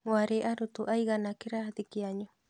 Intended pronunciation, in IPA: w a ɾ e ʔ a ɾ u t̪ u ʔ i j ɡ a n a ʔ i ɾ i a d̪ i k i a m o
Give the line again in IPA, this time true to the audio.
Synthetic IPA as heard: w a ɾ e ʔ a ɾ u t̪ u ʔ a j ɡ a n a k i ɾ a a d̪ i k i a ɲ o